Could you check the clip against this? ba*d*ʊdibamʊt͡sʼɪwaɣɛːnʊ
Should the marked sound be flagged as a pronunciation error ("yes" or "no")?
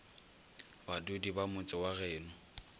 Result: no